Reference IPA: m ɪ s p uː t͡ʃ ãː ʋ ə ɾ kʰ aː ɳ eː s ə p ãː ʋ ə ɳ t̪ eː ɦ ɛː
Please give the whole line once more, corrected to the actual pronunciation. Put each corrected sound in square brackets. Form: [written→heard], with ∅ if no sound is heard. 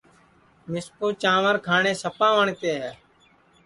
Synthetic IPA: m ɪ s p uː t͡ʃ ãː ʋ ə ɾ kʰ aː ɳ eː s ə p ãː ʋ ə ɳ t̪ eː ɦ ɛː